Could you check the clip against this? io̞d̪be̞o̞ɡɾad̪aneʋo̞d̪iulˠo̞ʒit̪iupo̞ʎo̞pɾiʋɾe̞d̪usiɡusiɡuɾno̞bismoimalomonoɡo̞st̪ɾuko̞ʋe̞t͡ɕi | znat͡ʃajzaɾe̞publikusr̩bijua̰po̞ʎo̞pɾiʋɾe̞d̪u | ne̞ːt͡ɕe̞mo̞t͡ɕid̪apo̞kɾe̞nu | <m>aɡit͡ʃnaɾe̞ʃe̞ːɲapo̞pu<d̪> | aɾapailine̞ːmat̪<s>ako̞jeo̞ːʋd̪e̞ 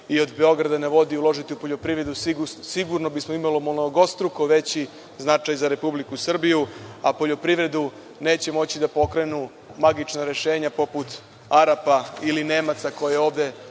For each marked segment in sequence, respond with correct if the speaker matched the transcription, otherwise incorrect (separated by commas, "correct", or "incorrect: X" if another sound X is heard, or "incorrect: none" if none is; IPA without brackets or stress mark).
correct, incorrect: t̪, correct